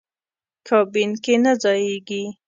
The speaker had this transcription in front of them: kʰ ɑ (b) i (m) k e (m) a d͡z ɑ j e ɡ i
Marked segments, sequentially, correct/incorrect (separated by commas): correct, incorrect, incorrect